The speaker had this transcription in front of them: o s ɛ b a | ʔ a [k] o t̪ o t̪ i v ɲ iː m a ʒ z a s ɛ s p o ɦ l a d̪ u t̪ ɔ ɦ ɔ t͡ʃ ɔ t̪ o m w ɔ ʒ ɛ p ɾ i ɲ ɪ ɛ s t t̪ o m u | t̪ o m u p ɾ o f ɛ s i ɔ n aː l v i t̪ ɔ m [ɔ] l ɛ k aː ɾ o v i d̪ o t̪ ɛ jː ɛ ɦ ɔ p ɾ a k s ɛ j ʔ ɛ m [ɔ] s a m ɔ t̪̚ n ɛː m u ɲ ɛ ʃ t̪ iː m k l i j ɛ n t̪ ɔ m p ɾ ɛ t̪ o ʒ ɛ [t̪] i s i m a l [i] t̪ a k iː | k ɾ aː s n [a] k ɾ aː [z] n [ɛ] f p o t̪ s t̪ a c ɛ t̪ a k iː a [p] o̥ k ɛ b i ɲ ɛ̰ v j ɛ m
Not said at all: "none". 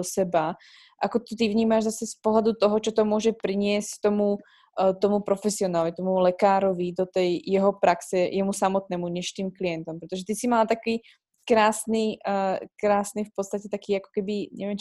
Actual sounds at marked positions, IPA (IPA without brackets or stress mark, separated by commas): k, u, u, t̪, a, i, s, i, k